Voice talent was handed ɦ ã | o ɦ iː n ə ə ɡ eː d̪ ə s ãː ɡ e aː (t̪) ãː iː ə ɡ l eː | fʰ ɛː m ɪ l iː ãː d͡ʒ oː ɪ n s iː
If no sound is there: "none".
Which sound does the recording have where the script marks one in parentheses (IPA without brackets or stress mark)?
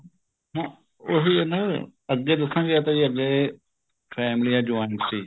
t̪